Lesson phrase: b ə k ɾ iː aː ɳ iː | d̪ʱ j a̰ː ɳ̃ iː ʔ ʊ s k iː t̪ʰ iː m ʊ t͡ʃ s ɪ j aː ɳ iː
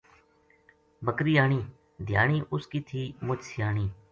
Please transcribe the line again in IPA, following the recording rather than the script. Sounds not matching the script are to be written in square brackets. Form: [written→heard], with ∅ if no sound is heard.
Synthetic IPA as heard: b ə k ɾ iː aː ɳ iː | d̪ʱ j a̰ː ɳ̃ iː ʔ ʊ s k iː t̪ʰ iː m ʊ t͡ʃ s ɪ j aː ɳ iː